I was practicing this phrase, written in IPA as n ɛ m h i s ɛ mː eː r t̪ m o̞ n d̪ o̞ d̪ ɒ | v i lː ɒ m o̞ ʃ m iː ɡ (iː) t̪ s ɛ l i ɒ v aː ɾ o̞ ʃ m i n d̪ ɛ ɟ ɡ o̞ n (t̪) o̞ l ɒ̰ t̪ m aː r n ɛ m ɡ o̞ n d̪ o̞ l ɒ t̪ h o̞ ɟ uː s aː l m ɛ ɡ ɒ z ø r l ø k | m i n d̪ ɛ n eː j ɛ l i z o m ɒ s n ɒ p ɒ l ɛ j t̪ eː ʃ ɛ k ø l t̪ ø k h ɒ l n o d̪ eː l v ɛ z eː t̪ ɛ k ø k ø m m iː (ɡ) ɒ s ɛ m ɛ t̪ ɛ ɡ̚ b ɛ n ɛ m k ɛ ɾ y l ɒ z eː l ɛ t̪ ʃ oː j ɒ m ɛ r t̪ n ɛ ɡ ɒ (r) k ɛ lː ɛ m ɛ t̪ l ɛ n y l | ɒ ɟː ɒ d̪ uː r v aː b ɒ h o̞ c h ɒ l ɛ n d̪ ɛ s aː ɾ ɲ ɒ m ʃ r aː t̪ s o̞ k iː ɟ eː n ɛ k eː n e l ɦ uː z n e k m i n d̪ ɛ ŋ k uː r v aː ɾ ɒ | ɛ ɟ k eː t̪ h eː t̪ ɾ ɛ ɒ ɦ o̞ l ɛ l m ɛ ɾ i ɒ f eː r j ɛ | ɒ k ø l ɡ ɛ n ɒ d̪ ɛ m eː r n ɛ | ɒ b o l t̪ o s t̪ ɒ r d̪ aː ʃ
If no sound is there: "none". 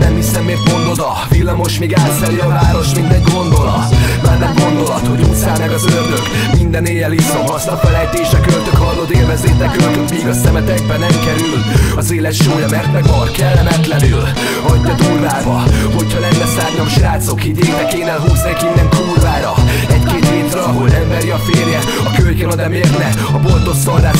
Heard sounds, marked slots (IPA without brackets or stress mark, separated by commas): aː, d̪, ɡ, r